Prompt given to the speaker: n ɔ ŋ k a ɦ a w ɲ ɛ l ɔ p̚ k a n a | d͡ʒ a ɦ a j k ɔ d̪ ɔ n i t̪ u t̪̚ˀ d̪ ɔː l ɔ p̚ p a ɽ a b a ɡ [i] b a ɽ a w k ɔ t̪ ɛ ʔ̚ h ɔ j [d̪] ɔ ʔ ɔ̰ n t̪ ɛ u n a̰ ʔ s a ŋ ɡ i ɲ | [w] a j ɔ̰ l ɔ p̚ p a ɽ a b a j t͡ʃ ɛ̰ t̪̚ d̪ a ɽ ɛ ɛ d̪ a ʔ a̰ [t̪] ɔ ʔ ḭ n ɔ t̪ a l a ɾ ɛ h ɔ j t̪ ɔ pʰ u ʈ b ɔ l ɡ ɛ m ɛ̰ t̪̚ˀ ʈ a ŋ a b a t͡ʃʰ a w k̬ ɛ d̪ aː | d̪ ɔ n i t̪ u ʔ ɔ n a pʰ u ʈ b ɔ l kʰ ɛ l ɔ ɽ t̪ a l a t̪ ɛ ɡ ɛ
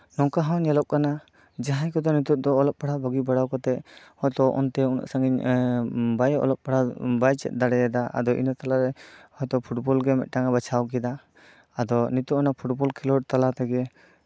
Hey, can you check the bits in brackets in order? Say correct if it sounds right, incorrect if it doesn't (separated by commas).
correct, incorrect, incorrect, incorrect